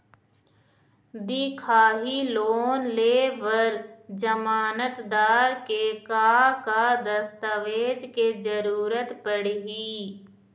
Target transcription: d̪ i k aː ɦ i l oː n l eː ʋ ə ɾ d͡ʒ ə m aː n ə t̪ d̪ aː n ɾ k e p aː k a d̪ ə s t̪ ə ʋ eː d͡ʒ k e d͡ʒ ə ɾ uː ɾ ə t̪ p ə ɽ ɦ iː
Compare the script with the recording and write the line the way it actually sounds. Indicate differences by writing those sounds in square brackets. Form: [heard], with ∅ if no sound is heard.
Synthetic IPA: d̪ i [kʰ] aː ɦ i l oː n l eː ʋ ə ɾ d͡ʒ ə m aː n ə t̪ d̪ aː [∅] ɾ k e [k] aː k a d̪ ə s t̪ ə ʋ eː d͡ʒ k e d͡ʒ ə ɾ uː ɾ ə t̪ p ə ɽ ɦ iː